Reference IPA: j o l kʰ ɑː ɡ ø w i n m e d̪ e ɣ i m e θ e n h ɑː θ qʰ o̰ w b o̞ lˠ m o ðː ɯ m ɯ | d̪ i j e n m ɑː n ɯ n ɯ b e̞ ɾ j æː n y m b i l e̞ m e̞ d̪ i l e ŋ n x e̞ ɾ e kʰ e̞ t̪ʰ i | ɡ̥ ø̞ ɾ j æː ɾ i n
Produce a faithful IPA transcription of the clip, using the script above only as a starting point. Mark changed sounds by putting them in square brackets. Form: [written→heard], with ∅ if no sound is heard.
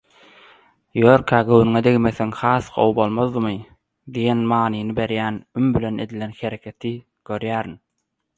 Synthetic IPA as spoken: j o [l→ɾ] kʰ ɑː ɡ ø w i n [m→ŋ] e d̪ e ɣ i m e θ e [n→ŋ] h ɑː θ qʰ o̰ w b o̞ lˠ m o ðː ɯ m ɯ | d̪ i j e n m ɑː n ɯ n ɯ b e̞ ɾ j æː n y m b i l e̞ [m→n] e̞ d̪ i l e [ŋ→∅] n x e̞ ɾ e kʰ e̞ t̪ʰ i | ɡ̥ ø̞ ɾ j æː ɾ i n